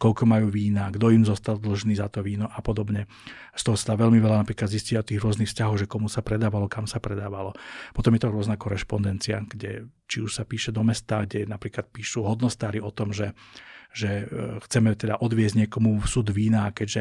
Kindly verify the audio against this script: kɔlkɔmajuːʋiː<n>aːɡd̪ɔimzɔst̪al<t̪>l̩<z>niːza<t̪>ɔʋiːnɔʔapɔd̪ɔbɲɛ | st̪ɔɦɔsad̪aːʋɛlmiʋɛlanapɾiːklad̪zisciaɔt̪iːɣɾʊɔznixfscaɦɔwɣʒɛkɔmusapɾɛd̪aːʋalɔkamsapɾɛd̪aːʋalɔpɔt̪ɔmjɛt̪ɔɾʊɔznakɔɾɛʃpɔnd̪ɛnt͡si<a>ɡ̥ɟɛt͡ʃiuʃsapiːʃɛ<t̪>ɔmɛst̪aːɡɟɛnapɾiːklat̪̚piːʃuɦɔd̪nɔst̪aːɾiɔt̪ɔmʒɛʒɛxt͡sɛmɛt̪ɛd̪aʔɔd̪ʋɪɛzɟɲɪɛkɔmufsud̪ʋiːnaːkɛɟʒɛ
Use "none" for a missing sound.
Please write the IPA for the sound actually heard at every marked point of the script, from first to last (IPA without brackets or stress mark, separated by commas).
n, d̪, ʒ, t̪, a, d̪